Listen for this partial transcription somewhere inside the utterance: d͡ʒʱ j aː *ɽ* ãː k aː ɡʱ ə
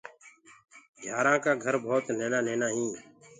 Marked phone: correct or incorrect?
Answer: incorrect